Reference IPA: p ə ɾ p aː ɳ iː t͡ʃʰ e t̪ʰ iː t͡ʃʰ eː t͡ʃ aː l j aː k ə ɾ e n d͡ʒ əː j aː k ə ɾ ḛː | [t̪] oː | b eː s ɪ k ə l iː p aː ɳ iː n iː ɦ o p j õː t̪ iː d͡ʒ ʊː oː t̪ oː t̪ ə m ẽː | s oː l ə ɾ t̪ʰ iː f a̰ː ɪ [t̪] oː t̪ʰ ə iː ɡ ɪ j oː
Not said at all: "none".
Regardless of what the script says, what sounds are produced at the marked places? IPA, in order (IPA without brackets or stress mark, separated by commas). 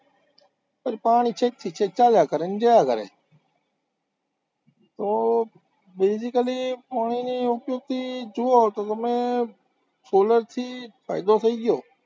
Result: t̪, d̪